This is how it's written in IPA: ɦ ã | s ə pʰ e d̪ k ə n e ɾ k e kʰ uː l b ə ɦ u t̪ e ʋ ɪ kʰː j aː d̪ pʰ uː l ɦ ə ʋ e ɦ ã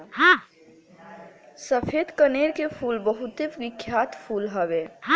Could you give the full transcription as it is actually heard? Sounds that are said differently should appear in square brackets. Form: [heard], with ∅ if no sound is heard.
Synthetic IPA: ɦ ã | s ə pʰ e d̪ k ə n e ɾ k e [pʰ] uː l b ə ɦ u t̪ e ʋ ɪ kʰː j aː [t̪] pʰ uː l ɦ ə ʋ e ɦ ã